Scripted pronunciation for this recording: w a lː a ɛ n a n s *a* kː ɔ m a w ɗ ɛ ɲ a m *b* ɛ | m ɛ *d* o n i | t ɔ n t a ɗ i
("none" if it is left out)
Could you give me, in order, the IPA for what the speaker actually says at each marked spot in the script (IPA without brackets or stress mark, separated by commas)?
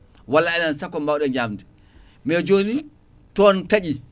a, d, d͡ʒ